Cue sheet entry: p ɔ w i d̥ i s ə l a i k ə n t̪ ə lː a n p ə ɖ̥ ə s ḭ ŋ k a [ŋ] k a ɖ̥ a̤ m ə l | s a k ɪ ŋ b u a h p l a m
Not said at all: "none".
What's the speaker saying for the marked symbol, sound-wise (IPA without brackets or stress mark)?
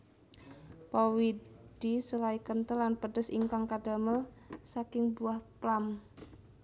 ŋ